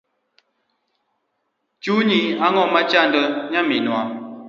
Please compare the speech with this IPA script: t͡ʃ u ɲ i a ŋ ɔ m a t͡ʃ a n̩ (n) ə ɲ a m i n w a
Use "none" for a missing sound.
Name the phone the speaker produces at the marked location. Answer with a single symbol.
d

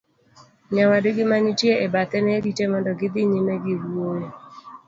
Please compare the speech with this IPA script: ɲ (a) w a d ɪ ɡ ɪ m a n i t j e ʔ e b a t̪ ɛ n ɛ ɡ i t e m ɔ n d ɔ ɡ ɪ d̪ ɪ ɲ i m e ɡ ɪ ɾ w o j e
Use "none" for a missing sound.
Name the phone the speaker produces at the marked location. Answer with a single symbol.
a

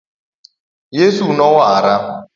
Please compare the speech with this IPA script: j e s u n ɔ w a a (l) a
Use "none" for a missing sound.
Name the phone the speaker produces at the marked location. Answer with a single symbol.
ɾ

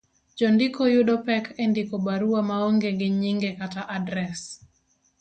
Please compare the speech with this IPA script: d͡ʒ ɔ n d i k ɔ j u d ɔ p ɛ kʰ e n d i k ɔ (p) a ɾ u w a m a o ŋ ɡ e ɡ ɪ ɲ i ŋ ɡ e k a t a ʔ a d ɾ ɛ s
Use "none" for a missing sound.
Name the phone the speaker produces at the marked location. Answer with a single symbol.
b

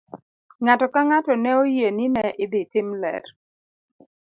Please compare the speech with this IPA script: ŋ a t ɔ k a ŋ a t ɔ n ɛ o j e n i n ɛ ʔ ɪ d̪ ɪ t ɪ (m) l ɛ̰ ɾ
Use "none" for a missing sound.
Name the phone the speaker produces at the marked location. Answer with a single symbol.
m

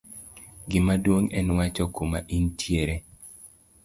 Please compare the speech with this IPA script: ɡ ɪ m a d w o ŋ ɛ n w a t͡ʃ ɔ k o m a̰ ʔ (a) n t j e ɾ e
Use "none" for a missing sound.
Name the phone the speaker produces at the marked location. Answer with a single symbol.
i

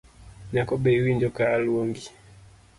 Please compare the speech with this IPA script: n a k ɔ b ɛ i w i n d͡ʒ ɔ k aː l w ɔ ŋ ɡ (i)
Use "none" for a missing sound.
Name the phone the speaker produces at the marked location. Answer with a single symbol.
i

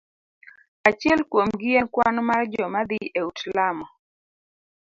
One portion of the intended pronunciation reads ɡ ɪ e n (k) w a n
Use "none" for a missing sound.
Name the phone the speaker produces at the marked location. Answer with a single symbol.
k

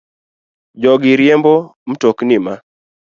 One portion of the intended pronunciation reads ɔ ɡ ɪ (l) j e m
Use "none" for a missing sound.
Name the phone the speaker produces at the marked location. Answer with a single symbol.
ɾ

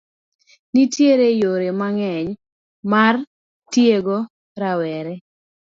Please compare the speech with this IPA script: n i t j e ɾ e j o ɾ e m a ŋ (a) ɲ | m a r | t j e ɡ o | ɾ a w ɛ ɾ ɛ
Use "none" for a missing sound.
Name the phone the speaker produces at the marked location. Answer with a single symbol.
ɛ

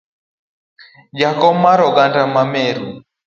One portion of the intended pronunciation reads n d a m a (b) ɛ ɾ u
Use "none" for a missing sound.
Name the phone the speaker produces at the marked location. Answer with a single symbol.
m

